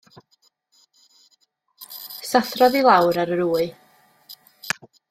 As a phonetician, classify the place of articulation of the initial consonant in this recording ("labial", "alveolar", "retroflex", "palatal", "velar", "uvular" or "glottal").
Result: alveolar